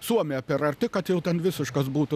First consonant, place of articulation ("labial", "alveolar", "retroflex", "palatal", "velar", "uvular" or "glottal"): alveolar